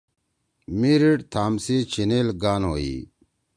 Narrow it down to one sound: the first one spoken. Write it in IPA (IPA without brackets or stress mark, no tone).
m